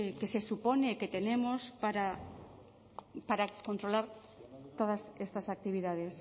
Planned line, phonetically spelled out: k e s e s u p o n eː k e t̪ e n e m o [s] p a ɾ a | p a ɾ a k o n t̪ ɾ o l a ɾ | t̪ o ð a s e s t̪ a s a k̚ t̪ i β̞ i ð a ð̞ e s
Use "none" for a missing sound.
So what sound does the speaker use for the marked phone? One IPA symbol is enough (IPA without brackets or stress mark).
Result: s